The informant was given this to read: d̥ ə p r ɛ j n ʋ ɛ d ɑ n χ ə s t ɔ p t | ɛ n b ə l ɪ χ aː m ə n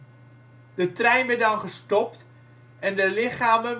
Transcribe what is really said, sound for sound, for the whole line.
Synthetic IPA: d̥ ə t r ɛ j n ʋ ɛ d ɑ n χ ə s t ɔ p t | ɛ n d ə l ɪ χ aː m ə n